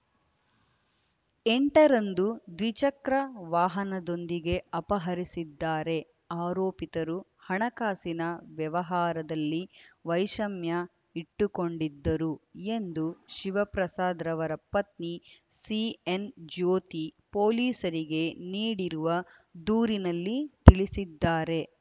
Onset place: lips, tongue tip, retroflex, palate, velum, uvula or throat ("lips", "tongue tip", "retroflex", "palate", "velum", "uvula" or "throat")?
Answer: retroflex